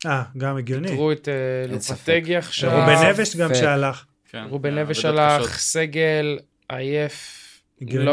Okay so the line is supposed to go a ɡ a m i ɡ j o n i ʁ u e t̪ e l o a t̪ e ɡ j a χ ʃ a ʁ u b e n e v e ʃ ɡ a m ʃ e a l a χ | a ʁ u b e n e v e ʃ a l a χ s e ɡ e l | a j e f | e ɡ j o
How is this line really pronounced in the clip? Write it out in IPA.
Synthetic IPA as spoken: a ɡ a m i ɡ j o n i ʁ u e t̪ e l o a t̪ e ɡ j a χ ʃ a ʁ u b e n e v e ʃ ɡ a m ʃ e a l a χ | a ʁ u b e n e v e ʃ a l a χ s e ɡ e l | a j e f | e ɡ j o